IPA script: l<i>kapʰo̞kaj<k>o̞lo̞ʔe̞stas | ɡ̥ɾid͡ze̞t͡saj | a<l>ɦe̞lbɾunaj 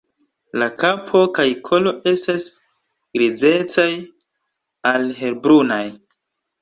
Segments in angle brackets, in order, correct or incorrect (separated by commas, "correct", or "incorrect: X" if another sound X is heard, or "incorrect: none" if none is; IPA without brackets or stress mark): incorrect: a, incorrect: kʰ, correct